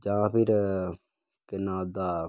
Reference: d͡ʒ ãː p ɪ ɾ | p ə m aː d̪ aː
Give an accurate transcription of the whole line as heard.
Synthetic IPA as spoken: d͡ʒ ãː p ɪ ɾ | k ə n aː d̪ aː